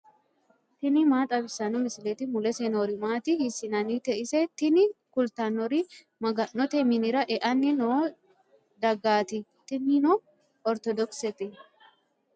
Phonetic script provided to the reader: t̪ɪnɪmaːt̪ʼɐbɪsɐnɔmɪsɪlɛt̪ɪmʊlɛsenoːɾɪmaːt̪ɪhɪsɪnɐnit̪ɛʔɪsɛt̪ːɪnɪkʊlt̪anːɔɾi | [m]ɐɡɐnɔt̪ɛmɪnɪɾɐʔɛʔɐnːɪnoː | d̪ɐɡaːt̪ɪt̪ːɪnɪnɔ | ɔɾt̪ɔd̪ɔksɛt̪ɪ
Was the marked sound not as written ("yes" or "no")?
no